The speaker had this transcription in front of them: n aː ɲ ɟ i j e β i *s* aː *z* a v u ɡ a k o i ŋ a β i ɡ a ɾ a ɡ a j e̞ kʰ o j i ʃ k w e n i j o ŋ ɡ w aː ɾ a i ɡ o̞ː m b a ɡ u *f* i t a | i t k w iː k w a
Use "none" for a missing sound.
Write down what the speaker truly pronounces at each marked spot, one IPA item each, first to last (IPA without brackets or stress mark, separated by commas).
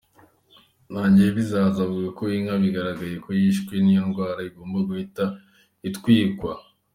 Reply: z, z, h